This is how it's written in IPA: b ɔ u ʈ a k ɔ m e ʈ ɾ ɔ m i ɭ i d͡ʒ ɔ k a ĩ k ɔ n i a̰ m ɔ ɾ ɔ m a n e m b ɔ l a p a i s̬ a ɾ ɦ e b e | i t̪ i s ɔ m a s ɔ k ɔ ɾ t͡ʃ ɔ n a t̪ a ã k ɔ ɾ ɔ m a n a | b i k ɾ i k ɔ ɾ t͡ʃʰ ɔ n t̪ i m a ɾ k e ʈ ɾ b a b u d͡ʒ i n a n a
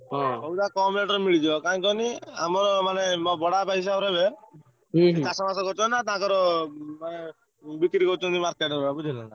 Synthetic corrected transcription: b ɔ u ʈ a k ɔ m e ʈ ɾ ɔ m i ɭ i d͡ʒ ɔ k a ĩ k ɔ n i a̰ m ɔ ɾ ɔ m a n e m b ɔ ɽ a p a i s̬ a ɾ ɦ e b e | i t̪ a s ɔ m a s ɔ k ɔ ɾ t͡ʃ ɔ n a t̪ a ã k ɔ ɾ ɔ m a n e | b i k ɾ i k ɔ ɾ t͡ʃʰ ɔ n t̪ i m a ɾ k e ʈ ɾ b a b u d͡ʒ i n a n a